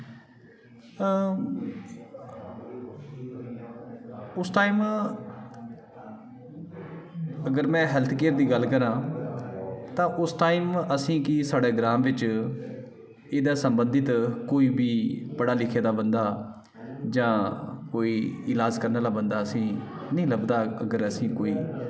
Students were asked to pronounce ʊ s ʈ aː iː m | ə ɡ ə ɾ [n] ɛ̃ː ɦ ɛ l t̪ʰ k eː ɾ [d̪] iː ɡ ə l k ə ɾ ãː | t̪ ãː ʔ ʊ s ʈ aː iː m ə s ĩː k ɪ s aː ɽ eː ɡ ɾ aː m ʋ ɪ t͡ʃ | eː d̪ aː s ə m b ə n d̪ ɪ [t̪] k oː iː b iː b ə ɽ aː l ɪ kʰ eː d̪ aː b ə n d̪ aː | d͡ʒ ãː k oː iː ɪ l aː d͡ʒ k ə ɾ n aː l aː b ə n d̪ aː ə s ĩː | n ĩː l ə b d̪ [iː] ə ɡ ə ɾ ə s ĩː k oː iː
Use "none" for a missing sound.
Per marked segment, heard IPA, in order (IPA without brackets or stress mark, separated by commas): m, d̪, t̪, aː